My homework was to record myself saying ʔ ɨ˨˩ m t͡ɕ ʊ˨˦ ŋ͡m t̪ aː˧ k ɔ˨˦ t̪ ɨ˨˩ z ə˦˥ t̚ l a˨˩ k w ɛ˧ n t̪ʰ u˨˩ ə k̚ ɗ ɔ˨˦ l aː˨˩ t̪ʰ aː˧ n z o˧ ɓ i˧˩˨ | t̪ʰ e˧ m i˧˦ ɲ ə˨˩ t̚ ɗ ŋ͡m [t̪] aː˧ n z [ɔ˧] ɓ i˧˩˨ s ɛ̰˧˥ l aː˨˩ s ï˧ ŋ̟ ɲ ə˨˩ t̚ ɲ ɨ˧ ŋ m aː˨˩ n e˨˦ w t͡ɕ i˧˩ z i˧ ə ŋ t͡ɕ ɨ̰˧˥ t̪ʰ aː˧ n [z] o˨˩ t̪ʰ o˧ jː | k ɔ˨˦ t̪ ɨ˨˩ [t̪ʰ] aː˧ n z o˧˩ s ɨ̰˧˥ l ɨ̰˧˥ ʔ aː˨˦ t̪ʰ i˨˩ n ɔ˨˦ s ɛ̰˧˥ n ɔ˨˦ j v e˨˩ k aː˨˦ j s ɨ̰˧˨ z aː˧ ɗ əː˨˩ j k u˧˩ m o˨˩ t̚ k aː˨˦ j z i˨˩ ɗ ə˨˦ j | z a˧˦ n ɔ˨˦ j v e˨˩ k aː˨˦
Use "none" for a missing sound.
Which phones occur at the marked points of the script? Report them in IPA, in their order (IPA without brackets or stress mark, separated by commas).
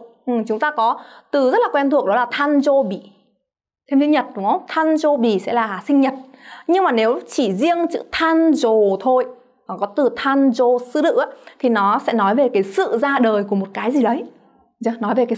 t̪ʰ, o˧, z, t̪ʰ